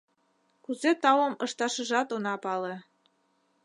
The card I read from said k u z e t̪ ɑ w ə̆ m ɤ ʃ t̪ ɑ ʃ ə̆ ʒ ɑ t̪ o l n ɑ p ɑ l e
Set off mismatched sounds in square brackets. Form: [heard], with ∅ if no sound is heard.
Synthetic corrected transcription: k u z e t̪ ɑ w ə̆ m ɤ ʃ t̪ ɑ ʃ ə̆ ʒ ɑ t̪ o [∅] n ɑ p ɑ l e